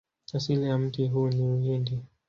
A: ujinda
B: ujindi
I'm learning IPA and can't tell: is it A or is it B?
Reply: B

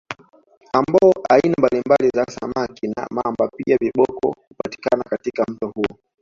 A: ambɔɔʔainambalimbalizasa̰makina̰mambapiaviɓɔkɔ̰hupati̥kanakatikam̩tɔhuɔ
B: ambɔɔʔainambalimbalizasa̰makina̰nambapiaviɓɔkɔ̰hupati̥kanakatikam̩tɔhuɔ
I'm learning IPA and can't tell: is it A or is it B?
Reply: A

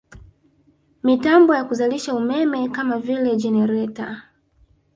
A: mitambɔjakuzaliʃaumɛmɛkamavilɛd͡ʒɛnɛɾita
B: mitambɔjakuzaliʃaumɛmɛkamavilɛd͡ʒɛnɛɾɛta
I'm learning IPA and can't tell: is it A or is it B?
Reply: B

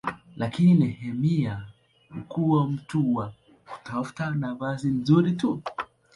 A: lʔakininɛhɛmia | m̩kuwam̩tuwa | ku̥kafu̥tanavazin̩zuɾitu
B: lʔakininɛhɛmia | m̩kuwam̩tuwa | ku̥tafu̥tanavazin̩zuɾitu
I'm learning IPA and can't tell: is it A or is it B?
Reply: B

